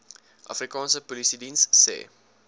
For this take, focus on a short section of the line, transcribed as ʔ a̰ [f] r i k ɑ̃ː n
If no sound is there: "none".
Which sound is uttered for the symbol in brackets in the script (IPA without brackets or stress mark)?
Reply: f